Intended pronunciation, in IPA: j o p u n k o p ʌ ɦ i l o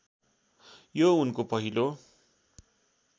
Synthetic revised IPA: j o u n k o p ʌ ɦ i l o